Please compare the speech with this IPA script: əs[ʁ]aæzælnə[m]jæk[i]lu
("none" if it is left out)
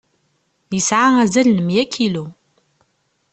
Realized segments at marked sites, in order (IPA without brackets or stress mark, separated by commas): ʕ, m, i